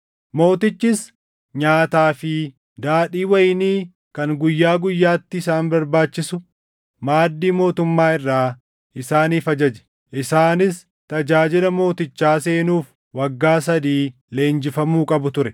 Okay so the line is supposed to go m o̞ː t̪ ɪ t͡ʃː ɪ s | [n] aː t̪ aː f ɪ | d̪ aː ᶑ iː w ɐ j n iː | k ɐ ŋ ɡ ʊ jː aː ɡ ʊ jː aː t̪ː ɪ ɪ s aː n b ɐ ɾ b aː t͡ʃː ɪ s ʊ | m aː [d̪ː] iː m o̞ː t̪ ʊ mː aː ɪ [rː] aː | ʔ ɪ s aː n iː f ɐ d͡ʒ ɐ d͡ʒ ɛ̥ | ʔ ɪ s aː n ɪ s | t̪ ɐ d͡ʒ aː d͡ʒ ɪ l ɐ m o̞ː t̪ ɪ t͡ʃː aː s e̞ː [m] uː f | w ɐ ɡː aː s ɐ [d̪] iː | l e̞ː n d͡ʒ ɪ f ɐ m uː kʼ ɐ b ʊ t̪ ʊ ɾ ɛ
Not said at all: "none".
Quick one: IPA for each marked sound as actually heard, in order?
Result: ɲ, d̪ː, rː, n, d̪

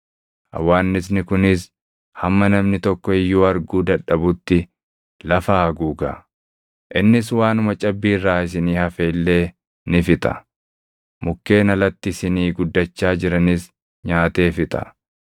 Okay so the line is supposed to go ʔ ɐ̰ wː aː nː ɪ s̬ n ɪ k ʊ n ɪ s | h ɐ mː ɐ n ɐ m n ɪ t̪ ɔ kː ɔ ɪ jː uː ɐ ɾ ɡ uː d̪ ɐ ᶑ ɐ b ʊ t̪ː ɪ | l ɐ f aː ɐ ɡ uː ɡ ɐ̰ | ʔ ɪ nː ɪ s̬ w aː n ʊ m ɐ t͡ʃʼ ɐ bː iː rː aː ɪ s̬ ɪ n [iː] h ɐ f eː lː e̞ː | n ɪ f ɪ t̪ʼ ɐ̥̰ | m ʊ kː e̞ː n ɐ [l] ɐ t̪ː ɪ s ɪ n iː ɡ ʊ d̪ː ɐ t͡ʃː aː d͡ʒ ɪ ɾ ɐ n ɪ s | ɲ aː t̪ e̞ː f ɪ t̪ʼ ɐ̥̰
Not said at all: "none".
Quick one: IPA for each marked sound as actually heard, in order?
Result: iː, l

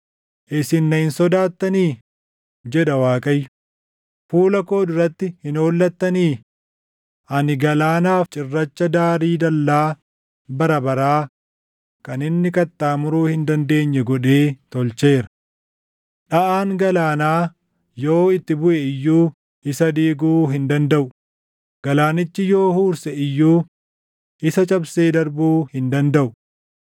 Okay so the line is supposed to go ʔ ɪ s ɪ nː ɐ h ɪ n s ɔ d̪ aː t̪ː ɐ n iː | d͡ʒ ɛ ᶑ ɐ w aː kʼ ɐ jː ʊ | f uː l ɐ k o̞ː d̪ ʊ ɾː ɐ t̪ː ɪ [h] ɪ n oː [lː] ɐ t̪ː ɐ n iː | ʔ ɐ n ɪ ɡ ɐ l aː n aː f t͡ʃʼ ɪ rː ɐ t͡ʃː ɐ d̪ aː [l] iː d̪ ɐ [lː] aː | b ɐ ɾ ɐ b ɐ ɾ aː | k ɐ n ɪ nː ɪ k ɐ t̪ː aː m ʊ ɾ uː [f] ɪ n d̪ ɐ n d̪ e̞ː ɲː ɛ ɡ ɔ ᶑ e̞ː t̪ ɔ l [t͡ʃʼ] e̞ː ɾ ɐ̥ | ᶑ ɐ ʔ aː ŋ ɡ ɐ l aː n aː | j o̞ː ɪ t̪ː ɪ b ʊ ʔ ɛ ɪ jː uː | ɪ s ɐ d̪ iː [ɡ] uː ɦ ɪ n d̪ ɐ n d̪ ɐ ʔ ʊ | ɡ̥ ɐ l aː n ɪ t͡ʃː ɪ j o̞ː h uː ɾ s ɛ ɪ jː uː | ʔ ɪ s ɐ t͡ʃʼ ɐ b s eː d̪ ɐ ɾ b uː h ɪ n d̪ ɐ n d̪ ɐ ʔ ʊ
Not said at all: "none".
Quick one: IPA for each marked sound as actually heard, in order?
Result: h, lː, ɾ, lː, h, t͡ʃ, ɡ

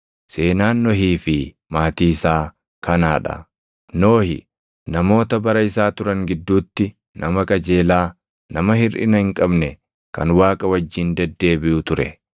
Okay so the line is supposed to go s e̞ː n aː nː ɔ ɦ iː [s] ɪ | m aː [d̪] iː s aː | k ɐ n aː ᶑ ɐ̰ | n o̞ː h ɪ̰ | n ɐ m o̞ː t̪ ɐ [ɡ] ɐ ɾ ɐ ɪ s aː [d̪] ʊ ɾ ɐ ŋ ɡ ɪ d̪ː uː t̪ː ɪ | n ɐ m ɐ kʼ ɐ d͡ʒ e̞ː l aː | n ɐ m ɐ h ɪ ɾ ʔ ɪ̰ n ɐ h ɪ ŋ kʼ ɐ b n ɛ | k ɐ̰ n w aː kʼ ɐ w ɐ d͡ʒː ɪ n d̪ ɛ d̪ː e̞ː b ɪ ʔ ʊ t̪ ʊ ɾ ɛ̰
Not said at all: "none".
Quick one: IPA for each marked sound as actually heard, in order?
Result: f, t̪, b, t̪

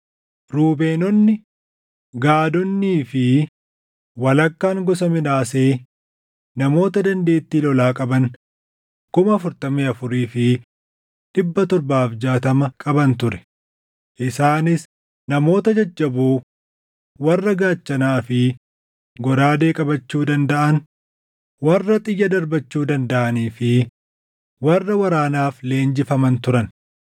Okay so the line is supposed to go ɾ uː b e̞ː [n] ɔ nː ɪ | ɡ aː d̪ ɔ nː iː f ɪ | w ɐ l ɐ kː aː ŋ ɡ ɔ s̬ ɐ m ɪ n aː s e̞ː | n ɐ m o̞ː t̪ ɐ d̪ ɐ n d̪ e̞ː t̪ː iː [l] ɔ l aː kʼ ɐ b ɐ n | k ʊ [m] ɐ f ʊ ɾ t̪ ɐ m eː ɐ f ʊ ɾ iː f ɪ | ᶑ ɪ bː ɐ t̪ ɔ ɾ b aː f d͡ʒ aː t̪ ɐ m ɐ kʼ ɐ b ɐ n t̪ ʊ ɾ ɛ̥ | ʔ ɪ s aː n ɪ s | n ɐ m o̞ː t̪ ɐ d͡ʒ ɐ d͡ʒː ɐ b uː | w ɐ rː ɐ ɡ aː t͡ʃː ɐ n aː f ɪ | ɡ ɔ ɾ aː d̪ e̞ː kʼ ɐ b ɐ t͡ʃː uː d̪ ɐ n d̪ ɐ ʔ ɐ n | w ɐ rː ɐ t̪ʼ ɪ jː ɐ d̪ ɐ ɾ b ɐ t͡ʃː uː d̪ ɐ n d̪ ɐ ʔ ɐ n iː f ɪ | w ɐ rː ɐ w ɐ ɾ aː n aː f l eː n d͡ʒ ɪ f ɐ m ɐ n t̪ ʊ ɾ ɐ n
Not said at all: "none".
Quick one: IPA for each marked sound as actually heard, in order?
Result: n, l, m

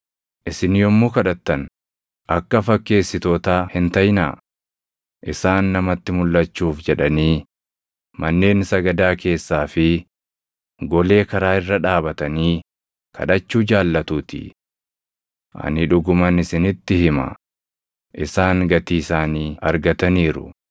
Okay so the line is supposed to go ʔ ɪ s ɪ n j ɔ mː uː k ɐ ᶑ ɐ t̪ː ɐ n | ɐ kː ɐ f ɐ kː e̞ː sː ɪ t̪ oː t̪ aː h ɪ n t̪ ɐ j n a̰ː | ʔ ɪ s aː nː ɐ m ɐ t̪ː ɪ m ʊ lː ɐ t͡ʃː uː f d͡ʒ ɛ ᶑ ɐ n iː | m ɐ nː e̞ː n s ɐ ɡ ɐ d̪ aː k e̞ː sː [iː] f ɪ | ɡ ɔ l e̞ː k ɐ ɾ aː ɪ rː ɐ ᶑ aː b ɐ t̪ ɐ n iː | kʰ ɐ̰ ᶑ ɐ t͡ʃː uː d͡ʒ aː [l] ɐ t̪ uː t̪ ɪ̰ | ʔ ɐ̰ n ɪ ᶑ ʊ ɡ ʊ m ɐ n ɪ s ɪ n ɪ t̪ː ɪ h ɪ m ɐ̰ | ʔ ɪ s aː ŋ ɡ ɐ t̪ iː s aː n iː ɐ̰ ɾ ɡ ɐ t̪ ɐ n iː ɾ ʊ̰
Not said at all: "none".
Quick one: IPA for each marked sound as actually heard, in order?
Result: aː, lː

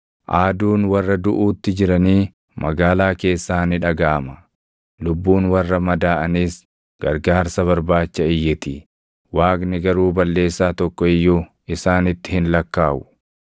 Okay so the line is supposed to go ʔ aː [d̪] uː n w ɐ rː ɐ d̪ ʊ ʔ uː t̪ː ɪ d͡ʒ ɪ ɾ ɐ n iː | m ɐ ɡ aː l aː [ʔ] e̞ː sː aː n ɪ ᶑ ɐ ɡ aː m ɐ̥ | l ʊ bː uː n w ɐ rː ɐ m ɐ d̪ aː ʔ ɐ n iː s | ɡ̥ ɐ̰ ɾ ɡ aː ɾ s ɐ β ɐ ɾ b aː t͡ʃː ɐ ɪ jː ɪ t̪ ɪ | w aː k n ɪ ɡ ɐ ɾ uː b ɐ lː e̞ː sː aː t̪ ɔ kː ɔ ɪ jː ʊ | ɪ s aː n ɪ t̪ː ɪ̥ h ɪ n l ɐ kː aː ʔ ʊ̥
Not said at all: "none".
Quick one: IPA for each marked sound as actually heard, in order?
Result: d̪, k

